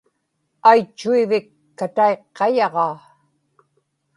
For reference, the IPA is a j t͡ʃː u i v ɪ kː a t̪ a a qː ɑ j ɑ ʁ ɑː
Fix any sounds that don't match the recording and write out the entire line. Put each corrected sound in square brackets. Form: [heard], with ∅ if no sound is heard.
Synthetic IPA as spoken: a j t͡ʃː u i v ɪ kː a t̪ a [e] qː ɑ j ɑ ʁ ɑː